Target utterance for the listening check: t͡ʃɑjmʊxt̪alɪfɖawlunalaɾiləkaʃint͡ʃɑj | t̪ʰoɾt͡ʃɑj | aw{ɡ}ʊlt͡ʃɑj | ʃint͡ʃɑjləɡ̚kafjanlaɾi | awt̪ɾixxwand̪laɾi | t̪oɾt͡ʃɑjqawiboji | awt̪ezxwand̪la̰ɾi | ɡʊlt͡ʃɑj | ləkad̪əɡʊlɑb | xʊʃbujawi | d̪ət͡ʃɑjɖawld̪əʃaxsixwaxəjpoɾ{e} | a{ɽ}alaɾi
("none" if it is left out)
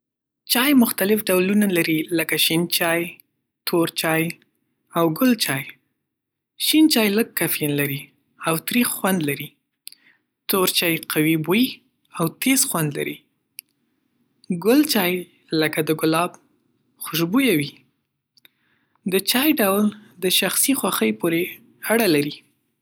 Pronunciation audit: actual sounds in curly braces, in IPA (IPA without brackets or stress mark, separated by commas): ɡ, e, ɽ